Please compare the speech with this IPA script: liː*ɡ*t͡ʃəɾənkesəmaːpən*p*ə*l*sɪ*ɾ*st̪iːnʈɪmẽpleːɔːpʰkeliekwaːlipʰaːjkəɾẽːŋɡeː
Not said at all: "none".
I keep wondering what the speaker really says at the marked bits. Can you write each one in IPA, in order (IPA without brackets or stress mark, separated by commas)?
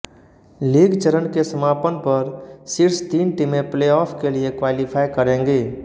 ɡ, p, ɾ, ɾ